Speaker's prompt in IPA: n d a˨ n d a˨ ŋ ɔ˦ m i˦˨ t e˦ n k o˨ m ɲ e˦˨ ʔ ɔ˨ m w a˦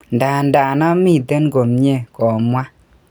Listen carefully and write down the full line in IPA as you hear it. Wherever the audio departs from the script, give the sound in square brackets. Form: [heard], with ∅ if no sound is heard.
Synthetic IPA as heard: n d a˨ n d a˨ [n] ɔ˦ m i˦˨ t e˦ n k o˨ m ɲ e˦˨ [k] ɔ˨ m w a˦